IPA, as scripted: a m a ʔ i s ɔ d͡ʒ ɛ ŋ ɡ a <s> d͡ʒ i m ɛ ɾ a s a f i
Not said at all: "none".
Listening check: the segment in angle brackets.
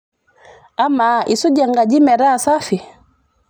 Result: none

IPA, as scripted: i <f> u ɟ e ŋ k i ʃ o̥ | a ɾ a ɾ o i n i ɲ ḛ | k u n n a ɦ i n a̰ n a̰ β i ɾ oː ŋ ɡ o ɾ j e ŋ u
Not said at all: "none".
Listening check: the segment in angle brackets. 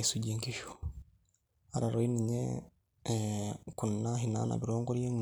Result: s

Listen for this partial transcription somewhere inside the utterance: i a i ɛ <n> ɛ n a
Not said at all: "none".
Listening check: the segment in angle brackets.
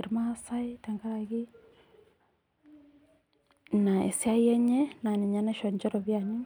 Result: ɲ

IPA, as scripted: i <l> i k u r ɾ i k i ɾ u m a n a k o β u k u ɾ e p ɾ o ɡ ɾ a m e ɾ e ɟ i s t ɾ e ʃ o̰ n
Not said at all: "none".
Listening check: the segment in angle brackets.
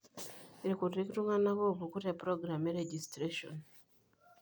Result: ɾ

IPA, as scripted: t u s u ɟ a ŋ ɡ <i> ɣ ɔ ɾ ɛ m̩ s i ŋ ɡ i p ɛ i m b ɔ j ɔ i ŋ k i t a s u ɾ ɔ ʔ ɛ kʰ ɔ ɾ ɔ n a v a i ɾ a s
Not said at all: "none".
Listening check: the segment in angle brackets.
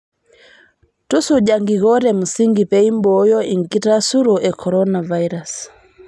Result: i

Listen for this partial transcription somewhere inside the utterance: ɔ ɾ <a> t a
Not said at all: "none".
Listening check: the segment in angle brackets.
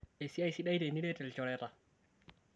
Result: ɛ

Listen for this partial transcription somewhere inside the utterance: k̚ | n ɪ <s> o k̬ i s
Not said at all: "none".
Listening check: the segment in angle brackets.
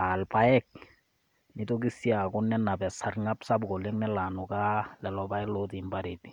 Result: t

